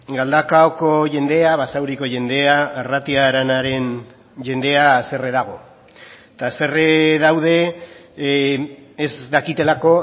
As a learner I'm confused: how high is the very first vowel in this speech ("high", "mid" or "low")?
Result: low